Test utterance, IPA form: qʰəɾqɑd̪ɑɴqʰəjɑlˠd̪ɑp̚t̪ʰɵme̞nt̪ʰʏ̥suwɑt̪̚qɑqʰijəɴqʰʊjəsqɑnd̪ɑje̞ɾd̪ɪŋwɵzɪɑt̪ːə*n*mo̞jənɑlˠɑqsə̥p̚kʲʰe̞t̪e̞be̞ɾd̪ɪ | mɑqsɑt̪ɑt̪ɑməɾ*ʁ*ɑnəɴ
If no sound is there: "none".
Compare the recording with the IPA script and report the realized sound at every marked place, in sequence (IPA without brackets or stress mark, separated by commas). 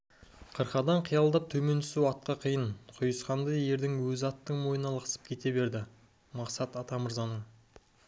ɴ, z